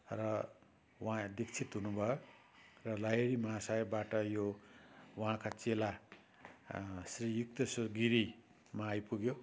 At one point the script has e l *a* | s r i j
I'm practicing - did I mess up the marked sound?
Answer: no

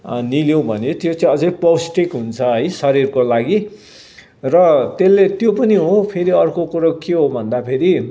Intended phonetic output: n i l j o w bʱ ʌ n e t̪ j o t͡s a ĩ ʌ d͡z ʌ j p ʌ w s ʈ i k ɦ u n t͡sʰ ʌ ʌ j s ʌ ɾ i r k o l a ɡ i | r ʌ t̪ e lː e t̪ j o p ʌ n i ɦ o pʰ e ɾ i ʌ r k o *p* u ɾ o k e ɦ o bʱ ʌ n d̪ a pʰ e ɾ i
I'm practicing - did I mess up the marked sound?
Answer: yes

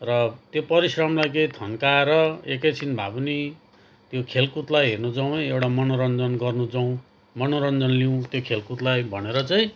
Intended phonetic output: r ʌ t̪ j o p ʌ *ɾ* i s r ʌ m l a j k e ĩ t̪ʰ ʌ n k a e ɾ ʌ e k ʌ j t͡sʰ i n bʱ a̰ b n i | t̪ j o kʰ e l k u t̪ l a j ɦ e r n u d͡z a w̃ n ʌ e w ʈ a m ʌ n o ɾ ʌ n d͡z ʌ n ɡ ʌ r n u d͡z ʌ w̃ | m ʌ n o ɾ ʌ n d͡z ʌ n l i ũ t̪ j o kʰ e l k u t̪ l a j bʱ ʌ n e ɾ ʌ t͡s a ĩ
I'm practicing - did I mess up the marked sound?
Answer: no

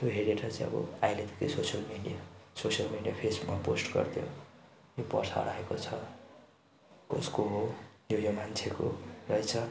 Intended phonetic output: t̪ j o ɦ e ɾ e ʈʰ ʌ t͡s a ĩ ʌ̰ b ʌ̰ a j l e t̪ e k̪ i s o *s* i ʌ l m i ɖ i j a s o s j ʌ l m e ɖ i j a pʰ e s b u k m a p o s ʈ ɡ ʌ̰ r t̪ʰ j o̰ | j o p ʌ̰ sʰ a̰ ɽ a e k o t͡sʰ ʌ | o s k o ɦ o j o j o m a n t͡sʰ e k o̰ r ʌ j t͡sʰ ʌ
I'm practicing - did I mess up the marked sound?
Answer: no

